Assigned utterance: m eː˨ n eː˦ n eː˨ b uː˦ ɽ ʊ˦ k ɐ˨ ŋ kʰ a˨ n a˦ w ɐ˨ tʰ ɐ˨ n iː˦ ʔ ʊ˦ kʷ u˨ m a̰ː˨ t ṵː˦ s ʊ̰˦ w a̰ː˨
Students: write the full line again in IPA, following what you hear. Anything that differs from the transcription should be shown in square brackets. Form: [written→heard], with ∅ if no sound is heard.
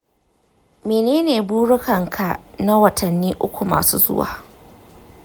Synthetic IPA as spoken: m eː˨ n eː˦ n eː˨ b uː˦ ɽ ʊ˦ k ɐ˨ ŋ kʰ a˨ n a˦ w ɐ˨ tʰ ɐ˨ [n→nː] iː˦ ʔ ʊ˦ kʷ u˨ m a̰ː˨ [t→s] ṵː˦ [s→z] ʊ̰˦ w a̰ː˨

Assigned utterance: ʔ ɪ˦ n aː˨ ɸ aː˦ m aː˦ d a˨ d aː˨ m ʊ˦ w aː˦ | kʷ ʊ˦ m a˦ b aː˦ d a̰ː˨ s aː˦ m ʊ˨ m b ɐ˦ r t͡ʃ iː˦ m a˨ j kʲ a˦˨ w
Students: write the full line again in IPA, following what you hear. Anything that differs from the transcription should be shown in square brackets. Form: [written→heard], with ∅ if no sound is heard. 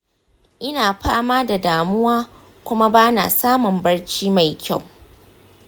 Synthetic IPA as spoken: ʔ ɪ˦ n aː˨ ɸ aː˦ m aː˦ d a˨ d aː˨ m ʊ˦ w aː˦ | kʷ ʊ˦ m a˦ b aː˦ [d→n] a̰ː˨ s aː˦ m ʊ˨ m b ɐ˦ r t͡ʃ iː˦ m a˨ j kʲ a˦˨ w

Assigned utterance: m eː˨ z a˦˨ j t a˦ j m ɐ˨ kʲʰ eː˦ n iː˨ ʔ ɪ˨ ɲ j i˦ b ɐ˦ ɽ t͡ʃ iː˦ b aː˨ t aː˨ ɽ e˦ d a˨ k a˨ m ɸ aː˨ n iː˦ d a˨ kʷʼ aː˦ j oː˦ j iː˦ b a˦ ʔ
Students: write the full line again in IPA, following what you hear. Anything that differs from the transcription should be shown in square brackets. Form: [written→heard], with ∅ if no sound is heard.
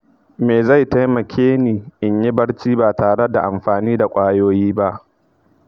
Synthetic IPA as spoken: m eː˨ z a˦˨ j t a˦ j m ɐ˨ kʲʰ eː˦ n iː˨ ʔ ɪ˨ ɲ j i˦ b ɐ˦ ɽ t͡ʃ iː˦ b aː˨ t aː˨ ɽ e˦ d a˨ [k→ʔ] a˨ m ɸ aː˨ n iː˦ d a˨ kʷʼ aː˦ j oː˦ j iː˦ b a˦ ʔ

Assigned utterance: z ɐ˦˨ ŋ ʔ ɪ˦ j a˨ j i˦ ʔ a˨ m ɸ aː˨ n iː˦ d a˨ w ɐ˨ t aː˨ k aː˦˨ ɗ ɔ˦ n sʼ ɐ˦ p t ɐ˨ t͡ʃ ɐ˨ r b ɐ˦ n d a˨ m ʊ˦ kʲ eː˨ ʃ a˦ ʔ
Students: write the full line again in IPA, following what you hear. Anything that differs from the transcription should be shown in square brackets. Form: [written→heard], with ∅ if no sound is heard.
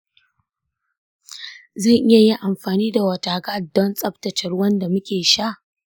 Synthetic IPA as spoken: z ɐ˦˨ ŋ ʔ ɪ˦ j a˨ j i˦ ʔ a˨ m ɸ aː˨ n iː˦ d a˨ w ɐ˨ t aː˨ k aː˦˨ [ɗ→d] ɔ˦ n sʼ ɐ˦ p t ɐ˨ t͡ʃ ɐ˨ r [b→w] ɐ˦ n d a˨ m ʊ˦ kʲ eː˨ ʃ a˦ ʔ

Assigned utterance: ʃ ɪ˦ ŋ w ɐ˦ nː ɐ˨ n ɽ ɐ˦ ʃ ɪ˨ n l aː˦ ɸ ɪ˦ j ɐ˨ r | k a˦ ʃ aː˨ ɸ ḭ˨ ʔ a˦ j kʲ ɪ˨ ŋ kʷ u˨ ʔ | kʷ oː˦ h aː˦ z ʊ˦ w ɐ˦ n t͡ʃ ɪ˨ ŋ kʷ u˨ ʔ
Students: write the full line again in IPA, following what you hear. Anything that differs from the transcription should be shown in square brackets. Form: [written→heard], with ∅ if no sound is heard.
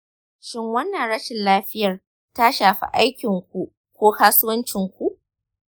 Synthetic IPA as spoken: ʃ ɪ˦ ŋ w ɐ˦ nː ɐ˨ n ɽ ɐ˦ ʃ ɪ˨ n l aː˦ ɸ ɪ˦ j ɐ˨ r | [k→t] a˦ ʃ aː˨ ɸ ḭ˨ ʔ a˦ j kʲ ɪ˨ ŋ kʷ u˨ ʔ | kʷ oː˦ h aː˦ [z→s] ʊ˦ w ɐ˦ n t͡ʃ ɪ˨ ŋ kʷ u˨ ʔ

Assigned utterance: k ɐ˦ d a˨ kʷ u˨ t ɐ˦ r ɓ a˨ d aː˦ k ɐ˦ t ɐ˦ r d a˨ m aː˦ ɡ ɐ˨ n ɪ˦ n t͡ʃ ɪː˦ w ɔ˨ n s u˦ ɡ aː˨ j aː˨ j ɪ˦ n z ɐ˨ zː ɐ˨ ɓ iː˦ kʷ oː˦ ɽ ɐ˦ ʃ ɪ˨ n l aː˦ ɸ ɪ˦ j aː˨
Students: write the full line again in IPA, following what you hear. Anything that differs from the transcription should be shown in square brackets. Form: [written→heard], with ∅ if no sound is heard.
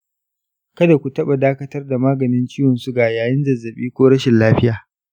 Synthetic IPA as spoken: k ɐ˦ d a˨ kʷ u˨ t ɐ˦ [r→∅] ɓ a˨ d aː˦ k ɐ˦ t ɐ˦ r d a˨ m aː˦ ɡ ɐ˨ n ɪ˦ n t͡ʃ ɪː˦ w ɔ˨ n s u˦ ɡ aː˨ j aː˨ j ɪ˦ n z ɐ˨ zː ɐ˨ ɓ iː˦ kʷ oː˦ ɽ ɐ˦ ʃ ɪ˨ n l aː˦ ɸ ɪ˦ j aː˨

